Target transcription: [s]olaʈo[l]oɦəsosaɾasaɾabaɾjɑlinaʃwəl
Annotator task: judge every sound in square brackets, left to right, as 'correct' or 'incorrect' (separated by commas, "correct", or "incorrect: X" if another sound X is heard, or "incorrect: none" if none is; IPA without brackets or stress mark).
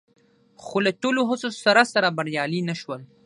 incorrect: x, correct